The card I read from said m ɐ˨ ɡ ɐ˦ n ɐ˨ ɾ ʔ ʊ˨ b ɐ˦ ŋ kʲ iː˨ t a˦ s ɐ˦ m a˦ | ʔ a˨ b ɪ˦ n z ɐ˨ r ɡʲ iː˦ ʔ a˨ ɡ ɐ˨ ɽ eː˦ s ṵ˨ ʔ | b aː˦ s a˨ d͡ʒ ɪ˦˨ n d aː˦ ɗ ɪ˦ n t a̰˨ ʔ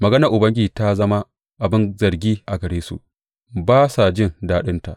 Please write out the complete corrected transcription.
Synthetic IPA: m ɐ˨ ɡ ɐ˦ n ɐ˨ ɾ ʔ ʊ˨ b ɐ˦ ŋ ɡʲ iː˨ t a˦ z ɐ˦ m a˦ | ʔ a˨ b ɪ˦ n z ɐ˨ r ɡʲ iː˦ ʔ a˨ ɡ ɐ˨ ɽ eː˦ s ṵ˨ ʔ | b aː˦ s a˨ d͡ʒ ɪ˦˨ n d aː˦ ɗ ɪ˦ n t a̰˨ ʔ